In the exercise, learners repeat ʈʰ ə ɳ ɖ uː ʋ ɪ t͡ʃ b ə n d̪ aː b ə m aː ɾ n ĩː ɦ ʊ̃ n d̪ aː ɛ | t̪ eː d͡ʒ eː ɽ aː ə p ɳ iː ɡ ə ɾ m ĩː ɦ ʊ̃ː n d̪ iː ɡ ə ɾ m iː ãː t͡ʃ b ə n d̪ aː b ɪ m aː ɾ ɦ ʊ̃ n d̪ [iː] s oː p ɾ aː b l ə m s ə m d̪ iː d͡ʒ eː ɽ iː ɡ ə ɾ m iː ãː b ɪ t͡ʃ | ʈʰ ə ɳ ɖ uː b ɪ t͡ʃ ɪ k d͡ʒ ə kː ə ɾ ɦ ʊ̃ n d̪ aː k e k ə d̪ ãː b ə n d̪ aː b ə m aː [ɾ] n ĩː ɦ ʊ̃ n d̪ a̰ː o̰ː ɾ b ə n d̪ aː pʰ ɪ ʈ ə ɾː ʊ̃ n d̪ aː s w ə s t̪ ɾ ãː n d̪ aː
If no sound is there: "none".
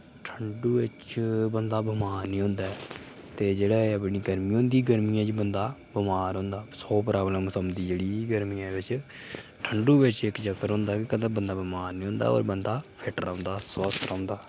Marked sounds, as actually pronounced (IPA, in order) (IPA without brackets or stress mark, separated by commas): aː, ɾ